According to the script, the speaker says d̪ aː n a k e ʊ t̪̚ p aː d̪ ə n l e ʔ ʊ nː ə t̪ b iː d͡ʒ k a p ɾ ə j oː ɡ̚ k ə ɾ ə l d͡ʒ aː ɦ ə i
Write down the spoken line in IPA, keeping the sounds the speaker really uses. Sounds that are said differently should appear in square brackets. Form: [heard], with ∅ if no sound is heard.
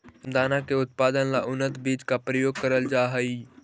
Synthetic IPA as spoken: d̪ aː n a k e ʊ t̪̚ p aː d̪ ə n l [a] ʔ ʊ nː ə t̪ b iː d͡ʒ k a p ɾ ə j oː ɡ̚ k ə ɾ ə l d͡ʒ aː ɦ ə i